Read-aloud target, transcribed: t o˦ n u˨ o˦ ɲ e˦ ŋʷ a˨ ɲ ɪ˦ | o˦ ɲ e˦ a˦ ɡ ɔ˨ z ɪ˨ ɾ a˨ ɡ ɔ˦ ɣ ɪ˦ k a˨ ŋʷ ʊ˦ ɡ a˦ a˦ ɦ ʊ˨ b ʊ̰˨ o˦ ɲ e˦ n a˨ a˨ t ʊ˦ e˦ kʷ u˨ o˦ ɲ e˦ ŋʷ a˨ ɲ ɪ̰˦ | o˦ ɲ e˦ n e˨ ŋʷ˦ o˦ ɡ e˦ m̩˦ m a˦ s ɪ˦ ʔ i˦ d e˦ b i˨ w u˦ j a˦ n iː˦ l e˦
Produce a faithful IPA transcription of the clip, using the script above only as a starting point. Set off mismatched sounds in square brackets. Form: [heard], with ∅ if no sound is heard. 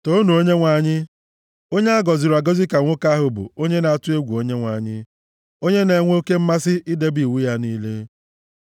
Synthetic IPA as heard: t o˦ n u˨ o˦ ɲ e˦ ŋʷ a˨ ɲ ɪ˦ | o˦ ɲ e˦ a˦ ɡ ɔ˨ z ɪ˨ ɾ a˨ ɡ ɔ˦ [z] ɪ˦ k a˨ ŋʷ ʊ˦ [k] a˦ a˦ ɦ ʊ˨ b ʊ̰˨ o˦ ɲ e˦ n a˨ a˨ t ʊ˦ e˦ [ɡʷ] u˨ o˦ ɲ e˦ ŋʷ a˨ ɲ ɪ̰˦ | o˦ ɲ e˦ n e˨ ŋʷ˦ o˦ [k] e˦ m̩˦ m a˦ s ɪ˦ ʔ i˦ d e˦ b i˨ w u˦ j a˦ n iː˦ l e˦